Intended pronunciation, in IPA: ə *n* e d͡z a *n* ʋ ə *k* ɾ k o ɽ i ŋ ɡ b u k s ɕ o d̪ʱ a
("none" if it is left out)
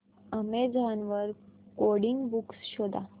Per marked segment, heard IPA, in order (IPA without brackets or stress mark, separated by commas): m, n, none